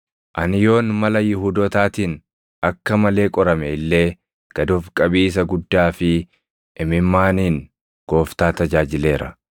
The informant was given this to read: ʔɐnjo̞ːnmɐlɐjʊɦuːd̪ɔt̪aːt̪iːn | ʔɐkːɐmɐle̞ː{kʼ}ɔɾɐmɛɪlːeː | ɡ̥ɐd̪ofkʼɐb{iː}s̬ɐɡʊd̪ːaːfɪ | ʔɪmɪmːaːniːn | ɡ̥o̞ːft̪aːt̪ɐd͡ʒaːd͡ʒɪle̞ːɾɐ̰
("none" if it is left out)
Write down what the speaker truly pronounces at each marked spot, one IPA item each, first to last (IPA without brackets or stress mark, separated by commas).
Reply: kʼ, iː